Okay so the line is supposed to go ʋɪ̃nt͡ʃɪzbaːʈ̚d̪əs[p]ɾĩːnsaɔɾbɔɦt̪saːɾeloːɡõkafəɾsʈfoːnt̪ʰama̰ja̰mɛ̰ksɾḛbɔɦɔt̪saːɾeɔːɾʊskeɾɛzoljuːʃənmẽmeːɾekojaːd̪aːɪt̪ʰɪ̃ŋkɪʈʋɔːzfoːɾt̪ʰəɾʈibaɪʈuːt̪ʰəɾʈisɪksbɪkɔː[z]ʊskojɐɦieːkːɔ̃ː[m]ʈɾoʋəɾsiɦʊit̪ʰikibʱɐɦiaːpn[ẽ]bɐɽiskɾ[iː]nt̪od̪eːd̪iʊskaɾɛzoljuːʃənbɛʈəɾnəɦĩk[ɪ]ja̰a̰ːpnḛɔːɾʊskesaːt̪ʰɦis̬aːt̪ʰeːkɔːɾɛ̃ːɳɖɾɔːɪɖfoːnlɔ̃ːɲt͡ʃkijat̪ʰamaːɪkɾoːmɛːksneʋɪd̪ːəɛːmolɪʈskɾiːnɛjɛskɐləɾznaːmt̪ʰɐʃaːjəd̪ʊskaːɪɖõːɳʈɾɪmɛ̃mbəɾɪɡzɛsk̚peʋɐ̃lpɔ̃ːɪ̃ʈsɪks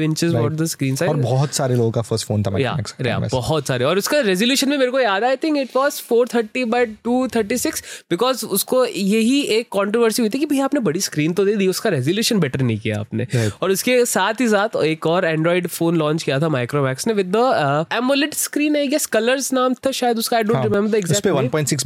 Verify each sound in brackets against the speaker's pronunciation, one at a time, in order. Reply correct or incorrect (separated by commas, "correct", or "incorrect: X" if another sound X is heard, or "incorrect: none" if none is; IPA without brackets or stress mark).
incorrect: k, correct, incorrect: ɳ, incorrect: e, correct, incorrect: i